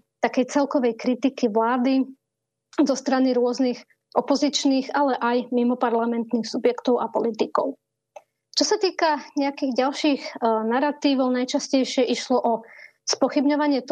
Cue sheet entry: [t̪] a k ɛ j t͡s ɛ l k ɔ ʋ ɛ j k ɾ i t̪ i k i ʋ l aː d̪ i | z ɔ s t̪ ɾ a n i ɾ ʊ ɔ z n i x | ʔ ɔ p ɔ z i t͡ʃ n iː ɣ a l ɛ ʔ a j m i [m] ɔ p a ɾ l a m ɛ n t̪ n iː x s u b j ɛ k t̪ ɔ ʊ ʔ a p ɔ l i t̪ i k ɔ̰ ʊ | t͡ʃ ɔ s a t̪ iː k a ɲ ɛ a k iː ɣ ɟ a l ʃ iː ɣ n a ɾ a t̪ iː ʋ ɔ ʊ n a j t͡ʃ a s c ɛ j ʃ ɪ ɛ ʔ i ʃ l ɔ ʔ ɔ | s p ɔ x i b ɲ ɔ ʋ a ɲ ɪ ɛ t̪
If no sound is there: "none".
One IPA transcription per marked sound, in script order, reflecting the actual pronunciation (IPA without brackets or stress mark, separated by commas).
t̪, m